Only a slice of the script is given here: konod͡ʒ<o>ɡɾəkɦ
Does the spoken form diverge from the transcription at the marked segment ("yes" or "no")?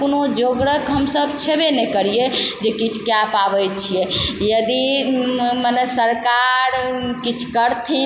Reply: no